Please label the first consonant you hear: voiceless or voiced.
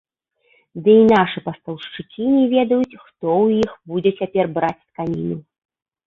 voiced